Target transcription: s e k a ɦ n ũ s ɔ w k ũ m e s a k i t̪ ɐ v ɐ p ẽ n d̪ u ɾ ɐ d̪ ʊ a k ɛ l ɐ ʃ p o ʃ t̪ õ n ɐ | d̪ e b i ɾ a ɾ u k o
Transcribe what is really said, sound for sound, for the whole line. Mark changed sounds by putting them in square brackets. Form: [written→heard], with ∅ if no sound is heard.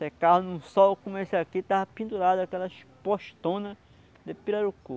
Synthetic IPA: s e k a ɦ n ũ s ɔ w k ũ m e s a k i t̪ [ɐ→a] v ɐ p [ẽ→ĩ] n d̪ u ɾ [ɐ→a] d̪ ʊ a k ɛ l ɐ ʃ p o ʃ t̪ õ n ɐ | d̪ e [b→p] i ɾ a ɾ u k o